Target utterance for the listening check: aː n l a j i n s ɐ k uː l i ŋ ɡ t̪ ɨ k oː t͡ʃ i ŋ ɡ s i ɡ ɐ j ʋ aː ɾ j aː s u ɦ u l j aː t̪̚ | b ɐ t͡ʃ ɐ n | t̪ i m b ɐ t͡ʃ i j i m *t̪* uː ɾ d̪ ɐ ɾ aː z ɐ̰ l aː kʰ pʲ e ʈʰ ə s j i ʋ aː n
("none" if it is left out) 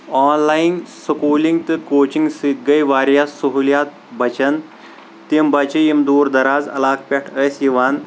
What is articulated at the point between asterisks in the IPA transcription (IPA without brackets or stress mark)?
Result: d̪